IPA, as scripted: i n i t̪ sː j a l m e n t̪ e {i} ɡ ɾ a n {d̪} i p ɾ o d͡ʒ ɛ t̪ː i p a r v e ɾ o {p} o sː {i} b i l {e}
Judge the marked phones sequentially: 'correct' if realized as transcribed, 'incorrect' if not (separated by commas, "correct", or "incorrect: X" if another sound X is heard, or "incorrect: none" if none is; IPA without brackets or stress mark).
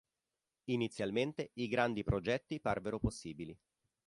correct, correct, correct, incorrect: iː, incorrect: i